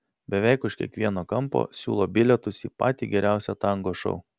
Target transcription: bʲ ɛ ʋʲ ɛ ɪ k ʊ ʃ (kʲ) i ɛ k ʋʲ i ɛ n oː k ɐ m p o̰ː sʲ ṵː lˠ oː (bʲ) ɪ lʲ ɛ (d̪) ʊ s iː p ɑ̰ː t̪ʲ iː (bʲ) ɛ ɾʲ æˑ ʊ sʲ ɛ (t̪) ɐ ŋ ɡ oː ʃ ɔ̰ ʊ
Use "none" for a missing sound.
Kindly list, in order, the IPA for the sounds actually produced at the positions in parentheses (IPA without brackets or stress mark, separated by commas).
kʲ, bʲ, t̪, ɡʲ, t̪